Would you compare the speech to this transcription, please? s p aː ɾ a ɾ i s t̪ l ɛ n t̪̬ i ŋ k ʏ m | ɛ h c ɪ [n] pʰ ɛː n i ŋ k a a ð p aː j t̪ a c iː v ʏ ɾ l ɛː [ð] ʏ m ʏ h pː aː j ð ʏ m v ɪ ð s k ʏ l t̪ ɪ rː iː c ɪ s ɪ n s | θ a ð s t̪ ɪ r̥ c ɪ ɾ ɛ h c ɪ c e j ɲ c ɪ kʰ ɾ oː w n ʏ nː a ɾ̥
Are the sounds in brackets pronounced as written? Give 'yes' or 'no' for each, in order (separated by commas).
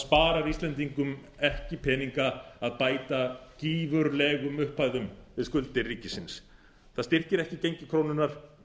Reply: no, no